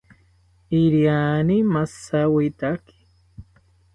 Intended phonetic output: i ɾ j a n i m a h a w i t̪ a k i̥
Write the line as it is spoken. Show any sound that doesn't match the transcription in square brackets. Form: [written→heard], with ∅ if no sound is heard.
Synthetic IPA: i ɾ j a n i m a [h→s] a w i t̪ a k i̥

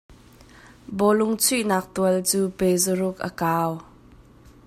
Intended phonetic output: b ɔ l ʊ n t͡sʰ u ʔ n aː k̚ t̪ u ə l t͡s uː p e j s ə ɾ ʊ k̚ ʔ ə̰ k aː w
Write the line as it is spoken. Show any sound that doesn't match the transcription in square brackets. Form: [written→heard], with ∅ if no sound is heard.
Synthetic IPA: b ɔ l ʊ [n→ŋ] t͡sʰ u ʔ n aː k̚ t̪ u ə l t͡s uː p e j [s→z] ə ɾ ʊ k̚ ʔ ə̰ k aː w

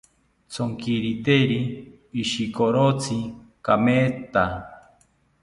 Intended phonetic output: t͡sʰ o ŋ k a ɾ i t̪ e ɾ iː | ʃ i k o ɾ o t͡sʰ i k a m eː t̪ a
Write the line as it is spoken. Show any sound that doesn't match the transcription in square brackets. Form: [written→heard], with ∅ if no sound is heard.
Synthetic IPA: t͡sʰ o ŋ k [a→i] ɾ i t̪ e ɾ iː | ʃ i k o ɾ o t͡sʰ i k a m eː t̪ a

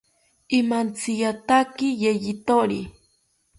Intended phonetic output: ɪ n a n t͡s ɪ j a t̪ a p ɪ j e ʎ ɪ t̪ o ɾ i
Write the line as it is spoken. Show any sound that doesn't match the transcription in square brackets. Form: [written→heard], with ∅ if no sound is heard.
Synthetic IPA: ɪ [n→m] a n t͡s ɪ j a t̪ a [p→k] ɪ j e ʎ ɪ t̪ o ɾ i

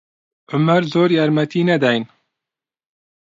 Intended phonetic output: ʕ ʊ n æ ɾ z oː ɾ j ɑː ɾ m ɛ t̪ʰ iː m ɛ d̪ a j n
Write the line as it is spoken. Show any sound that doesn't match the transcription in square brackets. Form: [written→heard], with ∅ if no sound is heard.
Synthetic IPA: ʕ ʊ [n→m] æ ɾ z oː ɾ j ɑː ɾ m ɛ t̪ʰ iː [m→n] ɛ d̪ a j n

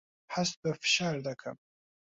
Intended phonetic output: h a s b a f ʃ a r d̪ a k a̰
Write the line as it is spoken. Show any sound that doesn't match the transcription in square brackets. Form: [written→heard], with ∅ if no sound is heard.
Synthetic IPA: [h→ħ] a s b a f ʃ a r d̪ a [k→kʰ] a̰

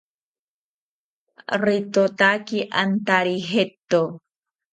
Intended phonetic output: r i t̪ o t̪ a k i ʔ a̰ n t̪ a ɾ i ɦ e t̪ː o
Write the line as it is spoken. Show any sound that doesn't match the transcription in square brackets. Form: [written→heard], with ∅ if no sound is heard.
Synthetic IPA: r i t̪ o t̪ a k i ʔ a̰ n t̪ a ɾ i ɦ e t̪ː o

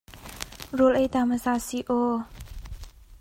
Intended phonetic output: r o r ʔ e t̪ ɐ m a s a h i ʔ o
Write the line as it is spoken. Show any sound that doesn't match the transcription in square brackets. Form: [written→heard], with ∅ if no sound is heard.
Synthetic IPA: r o [r→l] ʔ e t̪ [ɐ→a] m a s a [h→s] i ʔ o

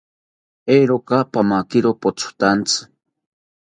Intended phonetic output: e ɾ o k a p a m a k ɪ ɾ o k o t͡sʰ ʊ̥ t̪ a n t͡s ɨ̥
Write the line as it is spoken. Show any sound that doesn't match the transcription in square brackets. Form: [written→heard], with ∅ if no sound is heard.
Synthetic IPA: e ɾ o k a p a m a k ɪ ɾ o [k→p] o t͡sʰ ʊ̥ t̪ a n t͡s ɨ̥

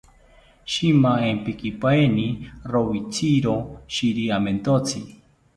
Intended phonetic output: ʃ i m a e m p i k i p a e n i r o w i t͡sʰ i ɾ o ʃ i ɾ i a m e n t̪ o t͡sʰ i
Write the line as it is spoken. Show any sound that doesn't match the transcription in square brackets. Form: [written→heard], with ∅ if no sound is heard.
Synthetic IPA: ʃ i m a e m p i k i p a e n i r o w i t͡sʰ i ɾ o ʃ i ɾ i a m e n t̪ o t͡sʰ i

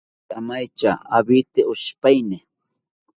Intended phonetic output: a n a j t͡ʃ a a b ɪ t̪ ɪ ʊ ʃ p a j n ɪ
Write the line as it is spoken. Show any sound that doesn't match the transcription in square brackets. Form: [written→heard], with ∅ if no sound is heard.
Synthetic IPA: a [n→m] a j t͡ʃ a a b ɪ t̪ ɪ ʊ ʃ p a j n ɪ

